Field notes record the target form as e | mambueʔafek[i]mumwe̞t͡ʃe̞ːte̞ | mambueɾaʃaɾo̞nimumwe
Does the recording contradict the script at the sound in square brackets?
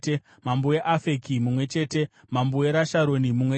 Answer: no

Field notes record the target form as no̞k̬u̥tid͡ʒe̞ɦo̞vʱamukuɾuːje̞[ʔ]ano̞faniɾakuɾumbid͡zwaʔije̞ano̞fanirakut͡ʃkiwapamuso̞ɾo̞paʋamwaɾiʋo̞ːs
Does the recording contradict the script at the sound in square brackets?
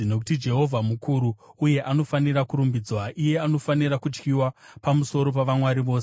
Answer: no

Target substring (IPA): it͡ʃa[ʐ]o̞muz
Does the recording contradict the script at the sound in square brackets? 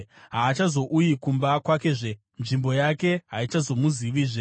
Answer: yes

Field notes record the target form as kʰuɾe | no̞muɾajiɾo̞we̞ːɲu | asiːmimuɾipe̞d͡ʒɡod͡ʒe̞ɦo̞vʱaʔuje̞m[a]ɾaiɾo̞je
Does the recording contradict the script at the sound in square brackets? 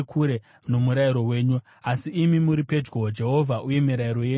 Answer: yes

